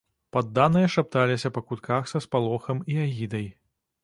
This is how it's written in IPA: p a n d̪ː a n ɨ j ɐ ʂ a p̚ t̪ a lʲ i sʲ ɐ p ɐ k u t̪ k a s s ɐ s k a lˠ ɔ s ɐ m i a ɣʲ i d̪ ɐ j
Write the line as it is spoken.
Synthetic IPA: p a d̪ː a n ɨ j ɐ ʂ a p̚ t̪ a lʲ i sʲ ɐ p ɐ k u t̪ k a x s ɐ s p a lˠ ɔ x ɐ m i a ɣʲ i d̪ ɐ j